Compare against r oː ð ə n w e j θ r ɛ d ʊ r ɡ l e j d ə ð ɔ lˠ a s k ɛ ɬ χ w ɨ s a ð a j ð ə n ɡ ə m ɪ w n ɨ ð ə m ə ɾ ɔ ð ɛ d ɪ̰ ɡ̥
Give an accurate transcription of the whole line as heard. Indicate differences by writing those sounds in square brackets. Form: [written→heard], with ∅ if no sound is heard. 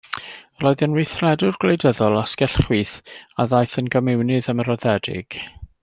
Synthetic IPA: r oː ð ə n w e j θ r ɛ d ʊ r ɡ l e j d ə ð ɔ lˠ a s k ɛ ɬ χ w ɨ [s→θ] a ð a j [ð→θ] ə n ɡ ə m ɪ w n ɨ ð ə m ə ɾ ɔ ð ɛ d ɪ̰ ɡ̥